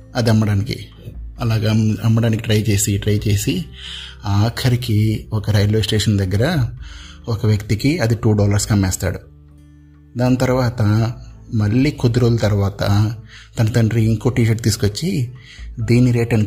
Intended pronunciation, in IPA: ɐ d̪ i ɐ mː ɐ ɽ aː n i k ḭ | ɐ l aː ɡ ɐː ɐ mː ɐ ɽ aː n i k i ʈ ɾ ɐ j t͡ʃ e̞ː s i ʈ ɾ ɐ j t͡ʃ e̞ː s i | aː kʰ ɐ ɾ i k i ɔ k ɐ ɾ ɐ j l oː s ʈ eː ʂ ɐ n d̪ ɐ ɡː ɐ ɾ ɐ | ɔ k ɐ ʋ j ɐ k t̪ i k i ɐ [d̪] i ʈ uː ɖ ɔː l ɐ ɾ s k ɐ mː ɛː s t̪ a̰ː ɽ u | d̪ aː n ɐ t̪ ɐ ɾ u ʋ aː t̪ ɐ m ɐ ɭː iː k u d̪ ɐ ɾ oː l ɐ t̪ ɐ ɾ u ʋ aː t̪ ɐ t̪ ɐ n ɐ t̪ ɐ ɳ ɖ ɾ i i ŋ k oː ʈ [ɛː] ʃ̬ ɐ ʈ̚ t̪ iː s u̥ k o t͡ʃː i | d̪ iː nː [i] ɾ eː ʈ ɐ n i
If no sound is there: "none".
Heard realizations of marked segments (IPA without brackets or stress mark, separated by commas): d̪, iː, i